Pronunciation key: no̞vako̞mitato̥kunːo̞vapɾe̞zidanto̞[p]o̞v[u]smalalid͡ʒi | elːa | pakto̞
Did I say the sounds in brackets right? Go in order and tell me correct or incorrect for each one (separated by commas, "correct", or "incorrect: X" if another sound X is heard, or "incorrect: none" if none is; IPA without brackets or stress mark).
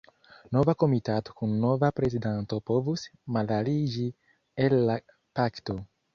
correct, correct